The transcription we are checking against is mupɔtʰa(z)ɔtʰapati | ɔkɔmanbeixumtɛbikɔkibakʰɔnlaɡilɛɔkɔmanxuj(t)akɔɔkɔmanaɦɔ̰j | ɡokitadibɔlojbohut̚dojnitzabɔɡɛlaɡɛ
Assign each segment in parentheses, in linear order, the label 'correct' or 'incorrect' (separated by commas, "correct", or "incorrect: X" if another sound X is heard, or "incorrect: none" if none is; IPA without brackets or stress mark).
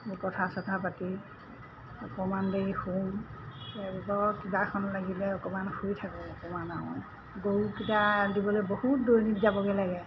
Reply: incorrect: s, incorrect: tʰ